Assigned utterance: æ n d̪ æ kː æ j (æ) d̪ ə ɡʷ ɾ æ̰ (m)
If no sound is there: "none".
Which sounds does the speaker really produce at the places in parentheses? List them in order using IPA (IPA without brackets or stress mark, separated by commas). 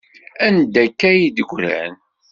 i, n